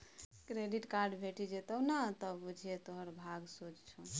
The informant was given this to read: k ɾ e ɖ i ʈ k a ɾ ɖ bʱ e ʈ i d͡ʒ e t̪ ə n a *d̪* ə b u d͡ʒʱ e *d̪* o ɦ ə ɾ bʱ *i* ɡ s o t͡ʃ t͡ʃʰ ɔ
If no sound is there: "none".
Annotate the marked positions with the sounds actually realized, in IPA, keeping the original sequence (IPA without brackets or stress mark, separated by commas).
t̪, t̪, a